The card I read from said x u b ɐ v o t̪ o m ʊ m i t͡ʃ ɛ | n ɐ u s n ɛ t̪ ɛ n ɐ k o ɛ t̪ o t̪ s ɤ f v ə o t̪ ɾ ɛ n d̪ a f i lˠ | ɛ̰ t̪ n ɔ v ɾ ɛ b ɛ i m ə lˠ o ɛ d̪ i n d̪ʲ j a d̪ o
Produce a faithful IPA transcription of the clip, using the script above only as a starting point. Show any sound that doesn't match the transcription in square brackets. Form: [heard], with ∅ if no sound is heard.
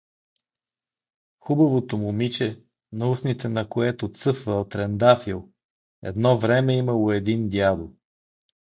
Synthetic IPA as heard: x u b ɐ v o t̪ o m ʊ m i t͡ʃ ɛ | n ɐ u s n [i] t̪ ɛ n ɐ k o ɛ t̪ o t̪ s ɤ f v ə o t̪ ɾ ɛ n d̪ a f i lˠ | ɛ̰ [d̪] n ɔ v ɾ ɛ [m] ɛ i m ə lˠ o ɛ d̪ i n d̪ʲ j a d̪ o

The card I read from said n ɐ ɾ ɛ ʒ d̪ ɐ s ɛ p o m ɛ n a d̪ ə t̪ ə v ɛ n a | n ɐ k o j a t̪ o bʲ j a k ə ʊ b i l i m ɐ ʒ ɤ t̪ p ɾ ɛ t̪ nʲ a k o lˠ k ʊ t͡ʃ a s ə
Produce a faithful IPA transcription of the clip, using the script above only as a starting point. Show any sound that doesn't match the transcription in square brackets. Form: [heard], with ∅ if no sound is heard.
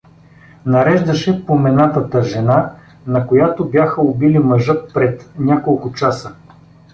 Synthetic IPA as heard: n ɐ ɾ ɛ ʒ d̪ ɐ [ʃ] ɛ p o m ɛ n a [t̪] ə t̪ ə [ʒ] ɛ n a | n ɐ k o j a t̪ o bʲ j a [x] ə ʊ b i l i m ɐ ʒ ɤ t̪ p ɾ ɛ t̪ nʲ a k o lˠ k ʊ t͡ʃ a s ə

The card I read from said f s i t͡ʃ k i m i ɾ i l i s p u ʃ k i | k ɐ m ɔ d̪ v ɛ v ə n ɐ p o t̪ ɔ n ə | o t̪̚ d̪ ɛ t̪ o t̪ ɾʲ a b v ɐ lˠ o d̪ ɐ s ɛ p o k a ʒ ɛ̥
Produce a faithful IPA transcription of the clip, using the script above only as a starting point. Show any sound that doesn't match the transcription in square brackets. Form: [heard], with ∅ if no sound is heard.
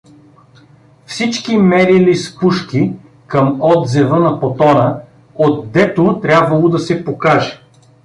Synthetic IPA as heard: f s i t͡ʃ k i m [ɛ] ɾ i l i s p u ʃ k i | k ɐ m ɔ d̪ [z] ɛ v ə n ɐ p o t̪ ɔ n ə | o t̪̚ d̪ ɛ t̪ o t̪ ɾʲ a b v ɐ lˠ o d̪ ɐ s ɛ p o k a ʒ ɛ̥

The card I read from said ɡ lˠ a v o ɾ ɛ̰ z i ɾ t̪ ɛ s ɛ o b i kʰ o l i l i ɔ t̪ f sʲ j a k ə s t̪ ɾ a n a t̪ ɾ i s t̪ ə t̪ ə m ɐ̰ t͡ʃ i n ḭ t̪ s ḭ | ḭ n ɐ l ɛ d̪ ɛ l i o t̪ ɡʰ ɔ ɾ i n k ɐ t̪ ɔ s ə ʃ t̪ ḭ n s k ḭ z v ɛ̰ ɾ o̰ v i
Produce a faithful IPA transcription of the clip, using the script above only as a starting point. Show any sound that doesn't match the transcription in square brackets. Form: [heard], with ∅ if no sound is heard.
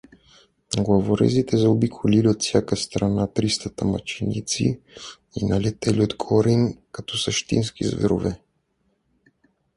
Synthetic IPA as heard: ɡ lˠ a v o ɾ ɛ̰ z i [∅] t̪ ɛ [z] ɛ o b i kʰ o l i l i [o] t̪ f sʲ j a k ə s t̪ ɾ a n a t̪ ɾ i s t̪ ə t̪ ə m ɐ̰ t͡ʃ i n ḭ t̪ s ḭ | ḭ n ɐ l ɛ [t̪] ɛ l i o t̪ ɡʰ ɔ ɾ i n k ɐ t̪ ɔ s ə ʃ t̪ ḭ n s k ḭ z v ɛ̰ ɾ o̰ v [ɛ]

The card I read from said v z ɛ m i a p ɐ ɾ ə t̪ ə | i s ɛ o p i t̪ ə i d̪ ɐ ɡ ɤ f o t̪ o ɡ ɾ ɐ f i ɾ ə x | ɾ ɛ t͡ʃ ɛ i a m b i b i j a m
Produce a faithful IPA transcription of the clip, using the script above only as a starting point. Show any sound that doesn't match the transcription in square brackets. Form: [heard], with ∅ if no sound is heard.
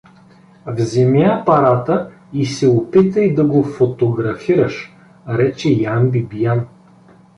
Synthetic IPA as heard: v z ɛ m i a p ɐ ɾ [a] t̪ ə | i s ɛ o p i t̪ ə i d̪ ɐ ɡ [o] f o t̪ o ɡ ɾ ɐ f i ɾ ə [ʃ] | ɾ ɛ t͡ʃ ɛ [j] a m b i b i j a [n]

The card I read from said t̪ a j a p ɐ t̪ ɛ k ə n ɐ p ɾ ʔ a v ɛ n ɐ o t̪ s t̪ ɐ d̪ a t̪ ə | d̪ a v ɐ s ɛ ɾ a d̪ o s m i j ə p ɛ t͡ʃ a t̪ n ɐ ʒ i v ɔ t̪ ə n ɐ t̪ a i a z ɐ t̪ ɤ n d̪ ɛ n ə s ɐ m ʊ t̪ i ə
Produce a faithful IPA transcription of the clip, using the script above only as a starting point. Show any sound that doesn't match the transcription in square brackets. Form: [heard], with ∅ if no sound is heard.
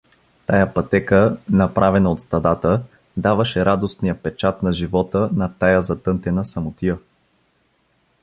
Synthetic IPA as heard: t̪ a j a p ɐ t̪ ɛ k ə n ɐ p ɾ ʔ a v ɛ n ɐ o t̪ s t̪ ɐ d̪ a t̪ ə | d̪ a v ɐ [ʃ] ɛ ɾ a d̪ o s [n] i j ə p ɛ t͡ʃ a t̪ n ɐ ʒ i v ɔ t̪ ə n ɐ t̪ a [j] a z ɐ t̪ ɤ n [t̪] ɛ n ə s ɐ m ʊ t̪ i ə

